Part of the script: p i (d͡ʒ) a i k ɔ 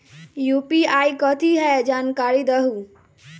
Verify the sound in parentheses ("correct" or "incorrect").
incorrect